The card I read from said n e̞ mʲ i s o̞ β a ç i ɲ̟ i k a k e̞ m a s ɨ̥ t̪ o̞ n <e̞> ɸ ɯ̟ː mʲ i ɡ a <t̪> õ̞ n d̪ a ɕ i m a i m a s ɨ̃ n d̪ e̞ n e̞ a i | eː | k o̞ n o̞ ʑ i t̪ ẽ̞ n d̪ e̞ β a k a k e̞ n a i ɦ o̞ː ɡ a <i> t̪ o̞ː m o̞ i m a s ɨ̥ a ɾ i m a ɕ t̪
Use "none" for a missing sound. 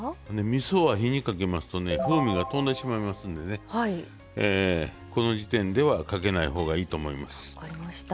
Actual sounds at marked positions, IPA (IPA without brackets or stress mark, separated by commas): e̞, t̪, iː